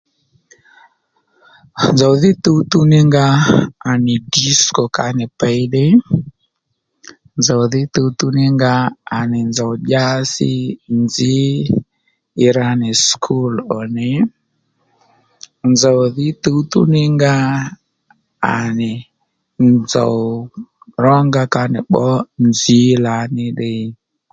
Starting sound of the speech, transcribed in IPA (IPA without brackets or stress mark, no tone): n